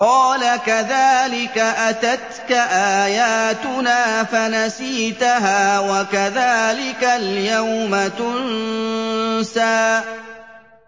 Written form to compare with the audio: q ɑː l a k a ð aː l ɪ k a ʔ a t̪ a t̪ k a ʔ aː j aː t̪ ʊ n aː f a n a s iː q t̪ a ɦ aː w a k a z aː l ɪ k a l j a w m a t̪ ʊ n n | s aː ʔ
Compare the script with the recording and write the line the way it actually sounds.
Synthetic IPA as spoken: q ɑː l a k a ð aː l ɪ k a ʔ a t̪ a t̪ k a ʔ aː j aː t̪ ʊ n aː f a n a s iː t̪ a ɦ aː w a k a ð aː l ɪ k a l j a w m a t̪ ʊ n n | s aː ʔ